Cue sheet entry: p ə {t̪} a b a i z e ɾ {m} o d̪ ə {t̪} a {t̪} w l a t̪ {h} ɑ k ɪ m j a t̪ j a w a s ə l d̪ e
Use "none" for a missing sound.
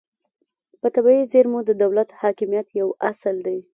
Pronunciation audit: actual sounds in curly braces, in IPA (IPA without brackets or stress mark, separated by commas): t̪, m, d̪, none, h